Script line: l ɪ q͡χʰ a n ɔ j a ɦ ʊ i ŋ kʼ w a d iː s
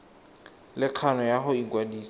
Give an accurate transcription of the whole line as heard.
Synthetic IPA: l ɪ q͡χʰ a n ɔ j a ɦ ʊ i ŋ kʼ w a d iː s